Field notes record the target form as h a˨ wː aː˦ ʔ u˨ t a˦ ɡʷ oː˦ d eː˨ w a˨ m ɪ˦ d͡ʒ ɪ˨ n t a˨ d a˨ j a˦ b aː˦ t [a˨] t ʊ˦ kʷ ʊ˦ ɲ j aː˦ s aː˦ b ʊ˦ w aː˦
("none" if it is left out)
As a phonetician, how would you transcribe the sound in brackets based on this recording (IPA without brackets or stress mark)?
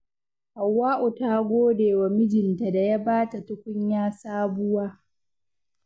a˨